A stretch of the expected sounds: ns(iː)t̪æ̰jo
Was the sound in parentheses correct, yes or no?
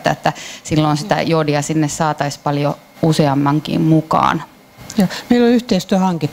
no